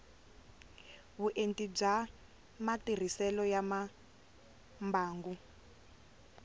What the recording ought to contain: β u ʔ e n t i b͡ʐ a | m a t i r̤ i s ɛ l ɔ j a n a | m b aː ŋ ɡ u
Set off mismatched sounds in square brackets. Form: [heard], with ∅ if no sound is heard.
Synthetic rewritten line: β u ʔ e n t i b͡ʐ a | m a t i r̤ i s ɛ l ɔ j a [m] a | m b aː ŋ ɡ u